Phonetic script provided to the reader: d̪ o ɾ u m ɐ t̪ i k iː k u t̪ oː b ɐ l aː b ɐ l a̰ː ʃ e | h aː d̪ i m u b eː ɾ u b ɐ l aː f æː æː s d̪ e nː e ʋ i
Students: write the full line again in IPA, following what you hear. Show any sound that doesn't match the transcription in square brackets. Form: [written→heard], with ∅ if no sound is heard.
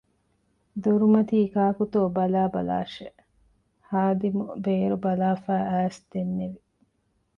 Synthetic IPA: d̪ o ɾ u m ɐ t̪ [i→iː] k [iː→aː] k u t̪ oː b ɐ l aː b ɐ l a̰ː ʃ e | h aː d̪ i m u b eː ɾ u b ɐ l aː f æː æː s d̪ e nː e ʋ i